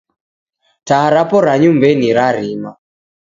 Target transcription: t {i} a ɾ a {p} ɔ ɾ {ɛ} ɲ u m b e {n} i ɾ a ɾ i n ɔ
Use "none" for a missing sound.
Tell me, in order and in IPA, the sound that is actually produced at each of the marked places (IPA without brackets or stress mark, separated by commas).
a, p, a, n